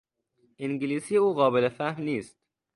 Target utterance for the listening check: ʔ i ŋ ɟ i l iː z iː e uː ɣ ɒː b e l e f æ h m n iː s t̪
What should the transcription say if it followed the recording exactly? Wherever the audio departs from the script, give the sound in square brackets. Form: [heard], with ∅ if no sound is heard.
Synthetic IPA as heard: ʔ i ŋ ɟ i l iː [s] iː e uː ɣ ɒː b e l e f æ h m n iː s t̪